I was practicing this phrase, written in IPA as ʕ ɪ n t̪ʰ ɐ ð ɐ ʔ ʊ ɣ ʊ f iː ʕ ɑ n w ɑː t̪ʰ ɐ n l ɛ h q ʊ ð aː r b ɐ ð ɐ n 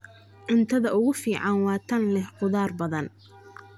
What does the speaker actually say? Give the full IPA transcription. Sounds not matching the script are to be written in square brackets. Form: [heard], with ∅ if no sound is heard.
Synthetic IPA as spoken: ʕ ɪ n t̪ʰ ɐ ð ɐ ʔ ʊ ɣ ʊ f iː ʕ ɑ n w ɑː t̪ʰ ɐ n l ɛ h q ʊ ð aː r b ɐ ð ɐ n